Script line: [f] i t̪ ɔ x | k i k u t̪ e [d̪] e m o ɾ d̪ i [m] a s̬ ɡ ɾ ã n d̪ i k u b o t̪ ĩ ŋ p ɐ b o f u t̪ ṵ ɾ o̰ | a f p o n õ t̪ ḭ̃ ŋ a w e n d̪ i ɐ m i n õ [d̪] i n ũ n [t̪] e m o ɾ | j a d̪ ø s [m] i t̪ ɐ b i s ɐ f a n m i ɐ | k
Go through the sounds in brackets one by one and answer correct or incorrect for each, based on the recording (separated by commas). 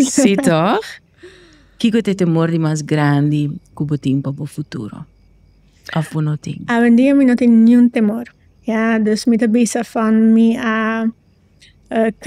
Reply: incorrect, incorrect, correct, incorrect, correct, correct